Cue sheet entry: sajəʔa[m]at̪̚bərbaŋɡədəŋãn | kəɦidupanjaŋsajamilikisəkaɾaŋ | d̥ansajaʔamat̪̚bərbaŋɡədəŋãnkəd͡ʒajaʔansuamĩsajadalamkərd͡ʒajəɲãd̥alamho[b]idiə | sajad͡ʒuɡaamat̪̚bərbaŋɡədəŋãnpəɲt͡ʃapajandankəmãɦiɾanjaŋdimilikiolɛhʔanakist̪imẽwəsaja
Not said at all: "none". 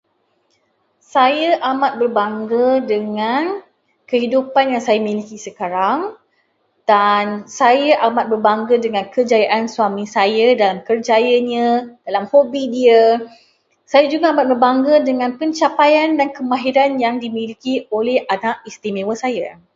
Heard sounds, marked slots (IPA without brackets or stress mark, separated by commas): m, b